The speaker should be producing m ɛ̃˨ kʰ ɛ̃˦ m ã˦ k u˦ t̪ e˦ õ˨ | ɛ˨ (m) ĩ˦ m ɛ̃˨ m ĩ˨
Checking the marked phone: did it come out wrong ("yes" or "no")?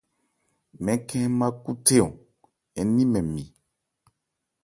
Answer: yes